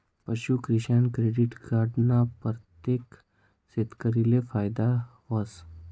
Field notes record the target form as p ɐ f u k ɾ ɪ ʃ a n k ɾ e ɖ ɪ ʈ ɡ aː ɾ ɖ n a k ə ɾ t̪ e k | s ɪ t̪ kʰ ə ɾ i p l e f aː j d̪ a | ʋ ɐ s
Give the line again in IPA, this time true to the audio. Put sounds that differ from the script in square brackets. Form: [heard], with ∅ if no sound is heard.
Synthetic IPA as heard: p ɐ [ʃ] u k ɾ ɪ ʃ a n k ɾ e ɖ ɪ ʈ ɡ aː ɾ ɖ n a [p] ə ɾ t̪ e k | s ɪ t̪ [k] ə ɾ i [∅] l e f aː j d̪ a | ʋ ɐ s